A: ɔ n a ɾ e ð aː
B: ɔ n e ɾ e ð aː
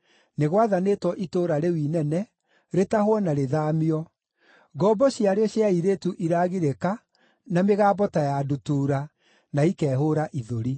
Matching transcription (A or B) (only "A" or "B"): A